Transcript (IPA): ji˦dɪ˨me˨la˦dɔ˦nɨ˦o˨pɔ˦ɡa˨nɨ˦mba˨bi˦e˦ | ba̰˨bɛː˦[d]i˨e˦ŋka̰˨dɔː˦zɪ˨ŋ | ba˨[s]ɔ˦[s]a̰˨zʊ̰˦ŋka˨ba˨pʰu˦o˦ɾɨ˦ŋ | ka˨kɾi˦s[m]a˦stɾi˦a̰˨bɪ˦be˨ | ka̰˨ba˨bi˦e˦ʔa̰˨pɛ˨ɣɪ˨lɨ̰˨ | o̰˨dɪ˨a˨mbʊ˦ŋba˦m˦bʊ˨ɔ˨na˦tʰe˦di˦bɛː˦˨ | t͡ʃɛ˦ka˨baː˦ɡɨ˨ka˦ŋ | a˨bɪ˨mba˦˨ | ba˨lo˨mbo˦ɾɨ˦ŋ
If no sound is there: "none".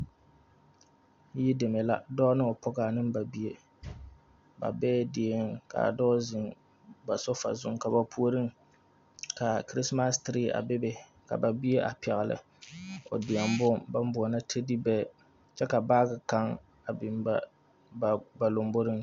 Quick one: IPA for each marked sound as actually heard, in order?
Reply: d, s, f, m

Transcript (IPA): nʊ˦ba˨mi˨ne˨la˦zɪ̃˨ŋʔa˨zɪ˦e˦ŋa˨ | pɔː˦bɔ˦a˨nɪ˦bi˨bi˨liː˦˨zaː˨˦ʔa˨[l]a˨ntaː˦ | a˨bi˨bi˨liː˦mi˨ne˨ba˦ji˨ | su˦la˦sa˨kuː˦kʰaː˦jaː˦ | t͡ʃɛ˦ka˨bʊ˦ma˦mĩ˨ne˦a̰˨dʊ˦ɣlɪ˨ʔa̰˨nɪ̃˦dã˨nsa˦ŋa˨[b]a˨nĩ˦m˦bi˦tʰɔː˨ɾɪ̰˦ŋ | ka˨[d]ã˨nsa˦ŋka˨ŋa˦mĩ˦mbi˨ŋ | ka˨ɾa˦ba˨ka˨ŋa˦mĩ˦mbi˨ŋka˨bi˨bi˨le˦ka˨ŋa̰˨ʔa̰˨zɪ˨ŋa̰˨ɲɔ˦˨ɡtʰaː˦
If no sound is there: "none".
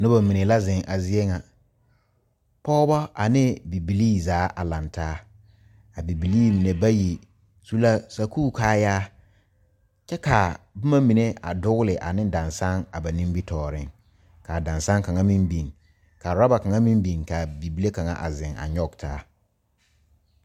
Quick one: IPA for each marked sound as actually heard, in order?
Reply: l, b, d

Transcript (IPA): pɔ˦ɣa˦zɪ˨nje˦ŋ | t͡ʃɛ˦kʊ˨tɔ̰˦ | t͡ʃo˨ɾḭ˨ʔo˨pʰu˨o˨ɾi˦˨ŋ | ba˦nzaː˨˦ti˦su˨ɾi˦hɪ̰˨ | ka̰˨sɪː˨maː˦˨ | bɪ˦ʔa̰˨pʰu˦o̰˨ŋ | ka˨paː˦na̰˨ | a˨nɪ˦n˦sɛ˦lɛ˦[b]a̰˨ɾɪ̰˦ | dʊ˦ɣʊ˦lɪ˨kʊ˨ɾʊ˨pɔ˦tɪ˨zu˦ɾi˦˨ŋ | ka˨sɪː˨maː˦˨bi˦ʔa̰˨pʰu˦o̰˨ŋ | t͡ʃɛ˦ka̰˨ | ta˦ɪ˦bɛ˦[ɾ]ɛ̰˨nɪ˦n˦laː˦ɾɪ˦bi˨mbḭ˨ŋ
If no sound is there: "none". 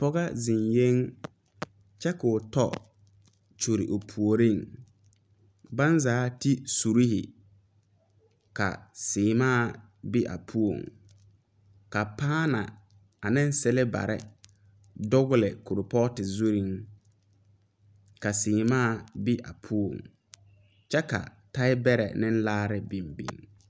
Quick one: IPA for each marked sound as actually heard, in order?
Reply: b, ɾ

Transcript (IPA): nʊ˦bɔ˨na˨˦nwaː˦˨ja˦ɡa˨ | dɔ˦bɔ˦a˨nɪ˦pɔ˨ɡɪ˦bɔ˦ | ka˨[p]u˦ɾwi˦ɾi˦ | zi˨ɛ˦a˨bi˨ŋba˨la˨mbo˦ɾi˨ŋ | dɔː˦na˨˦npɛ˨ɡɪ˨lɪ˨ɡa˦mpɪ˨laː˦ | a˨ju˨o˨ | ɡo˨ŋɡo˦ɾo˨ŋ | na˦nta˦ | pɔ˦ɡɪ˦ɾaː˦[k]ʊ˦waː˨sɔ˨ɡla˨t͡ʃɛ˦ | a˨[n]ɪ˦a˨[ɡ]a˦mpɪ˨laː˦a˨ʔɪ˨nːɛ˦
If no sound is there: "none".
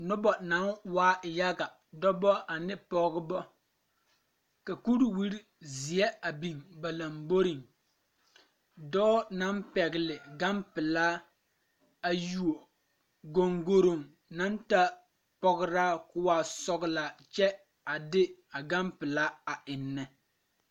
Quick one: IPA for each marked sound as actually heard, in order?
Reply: k, k, d, ɡ

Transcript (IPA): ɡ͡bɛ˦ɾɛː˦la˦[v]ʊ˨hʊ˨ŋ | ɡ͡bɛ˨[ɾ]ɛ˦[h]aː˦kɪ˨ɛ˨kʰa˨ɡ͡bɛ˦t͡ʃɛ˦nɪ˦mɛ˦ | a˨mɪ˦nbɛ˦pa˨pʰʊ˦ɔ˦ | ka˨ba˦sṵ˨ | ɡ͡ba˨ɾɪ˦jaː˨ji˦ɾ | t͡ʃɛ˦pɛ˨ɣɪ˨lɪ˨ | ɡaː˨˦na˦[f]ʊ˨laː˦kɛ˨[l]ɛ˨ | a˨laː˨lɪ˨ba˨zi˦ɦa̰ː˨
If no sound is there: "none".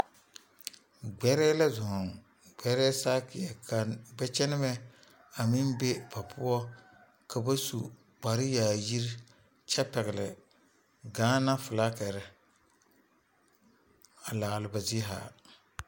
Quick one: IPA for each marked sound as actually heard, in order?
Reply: z, ɾ, s, f, ɾ

